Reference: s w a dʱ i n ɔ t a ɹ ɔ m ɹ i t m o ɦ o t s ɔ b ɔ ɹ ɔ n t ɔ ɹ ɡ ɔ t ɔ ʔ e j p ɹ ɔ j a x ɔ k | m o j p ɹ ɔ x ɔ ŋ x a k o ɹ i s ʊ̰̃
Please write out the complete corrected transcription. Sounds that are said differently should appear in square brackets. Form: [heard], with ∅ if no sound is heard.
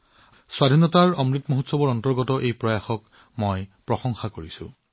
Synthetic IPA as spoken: s w a dʱ i n ɔ t a ɹ ɔ m ɹ i t m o ɦ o t s ɔ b ɔ ɹ ɔ n t ɔ ɹ ɡ ɔ t ɔ ʔ e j p ɹ ɔ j a x ɔ k | m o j p ɹ ɔ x ɔ ŋ x a k o ɹ i s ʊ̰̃

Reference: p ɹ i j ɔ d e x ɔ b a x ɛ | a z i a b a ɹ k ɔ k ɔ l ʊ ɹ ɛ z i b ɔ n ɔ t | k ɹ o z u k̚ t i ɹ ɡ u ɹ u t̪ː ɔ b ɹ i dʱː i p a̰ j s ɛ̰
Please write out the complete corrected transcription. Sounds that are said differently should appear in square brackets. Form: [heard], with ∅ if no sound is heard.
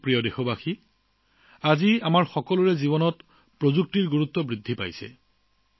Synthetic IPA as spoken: p ɹ i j ɔ d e x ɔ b a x [i] | a z i a [m] a ɹ [x] ɔ k ɔ l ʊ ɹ ɛ z i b ɔ n ɔ t | [p] ɹ o z u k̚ t i ɹ ɡ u ɹ u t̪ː ɔ b ɹ i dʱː i p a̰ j s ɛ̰

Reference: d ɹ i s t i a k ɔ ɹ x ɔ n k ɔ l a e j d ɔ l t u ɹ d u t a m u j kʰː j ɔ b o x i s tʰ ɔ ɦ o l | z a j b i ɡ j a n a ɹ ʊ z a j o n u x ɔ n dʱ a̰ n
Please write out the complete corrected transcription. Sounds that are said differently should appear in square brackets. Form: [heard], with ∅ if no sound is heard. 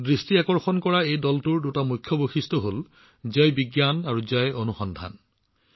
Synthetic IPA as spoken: d ɹ i s t i a k ɔ ɹ x ɔ n k ɔ [ɹ] a e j d ɔ l t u ɹ d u t a m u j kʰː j ɔ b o x i s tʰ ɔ ɦ o l | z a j b i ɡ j a n a ɹ [u] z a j o n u x ɔ n dʱ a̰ n

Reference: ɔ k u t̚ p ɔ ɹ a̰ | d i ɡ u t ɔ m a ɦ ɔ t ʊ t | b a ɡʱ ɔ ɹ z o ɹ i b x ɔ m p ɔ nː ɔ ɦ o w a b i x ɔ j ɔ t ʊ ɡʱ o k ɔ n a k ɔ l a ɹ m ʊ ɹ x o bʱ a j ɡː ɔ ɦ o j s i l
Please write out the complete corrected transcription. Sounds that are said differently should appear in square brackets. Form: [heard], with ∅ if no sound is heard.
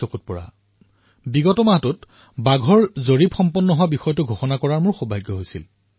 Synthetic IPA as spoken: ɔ k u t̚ p ɔ ɹ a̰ | [b] i ɡ [ɔ] t ɔ m a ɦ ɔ t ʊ t | b a ɡʱ ɔ ɹ z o ɹ i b x ɔ m p ɔ nː ɔ ɦ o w a b i x ɔ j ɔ t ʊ ɡʱ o [x] ɔ n a k ɔ [ɹ] a ɹ m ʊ ɹ x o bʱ a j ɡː ɔ ɦ o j s i l

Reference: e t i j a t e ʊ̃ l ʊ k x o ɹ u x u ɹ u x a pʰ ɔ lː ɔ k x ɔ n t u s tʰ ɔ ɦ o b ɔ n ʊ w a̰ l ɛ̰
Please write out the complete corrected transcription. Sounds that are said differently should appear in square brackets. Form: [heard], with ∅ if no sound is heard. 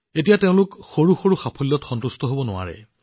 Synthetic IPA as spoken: e t i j a t e ʊ̃ l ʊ k x o ɹ u x [o] ɹ u x a pʰ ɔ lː ɔ [t] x ɔ n t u s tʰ ɔ ɦ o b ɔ n ʊ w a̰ [ɹ] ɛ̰

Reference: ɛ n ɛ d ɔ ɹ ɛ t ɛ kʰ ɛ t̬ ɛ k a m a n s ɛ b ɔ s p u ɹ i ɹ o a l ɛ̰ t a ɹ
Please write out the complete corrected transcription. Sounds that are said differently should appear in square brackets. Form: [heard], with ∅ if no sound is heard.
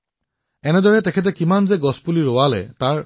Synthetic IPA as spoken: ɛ n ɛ d ɔ ɹ ɛ t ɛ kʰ ɛ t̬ ɛ k [i] m a n [z] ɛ [ɡ] ɔ s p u [l] i ɹ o a l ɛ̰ t a ɹ

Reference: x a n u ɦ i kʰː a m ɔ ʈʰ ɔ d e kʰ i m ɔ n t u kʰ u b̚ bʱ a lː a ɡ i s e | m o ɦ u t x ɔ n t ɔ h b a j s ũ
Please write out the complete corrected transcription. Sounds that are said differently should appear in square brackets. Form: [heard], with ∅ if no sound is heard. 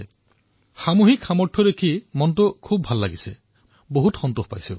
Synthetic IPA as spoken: x a [m] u ɦ i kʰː a m ɔ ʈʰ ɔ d e kʰ i m ɔ n t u kʰ u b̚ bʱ a lː a ɡ i s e | [b] o ɦ u t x ɔ n t [u] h [p] a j s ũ

